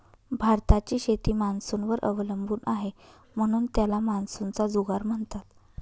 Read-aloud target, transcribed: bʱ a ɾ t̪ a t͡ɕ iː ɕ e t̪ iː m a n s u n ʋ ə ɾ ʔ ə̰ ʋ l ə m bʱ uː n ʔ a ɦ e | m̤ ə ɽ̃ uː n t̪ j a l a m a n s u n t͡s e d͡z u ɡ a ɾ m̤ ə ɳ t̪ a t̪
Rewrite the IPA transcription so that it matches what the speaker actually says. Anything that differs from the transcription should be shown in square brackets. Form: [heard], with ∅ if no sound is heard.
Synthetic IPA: bʱ a ɾ t̪ a t͡ɕ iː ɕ e t̪ iː m a n s u n ʋ ə ɾ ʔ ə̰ ʋ l ə m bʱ uː n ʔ a ɦ e | m̤ ə ɽ̃ uː n t̪ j a l a m a n s u n t͡s [a] d͡z u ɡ a ɾ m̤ ə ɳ t̪ a t̪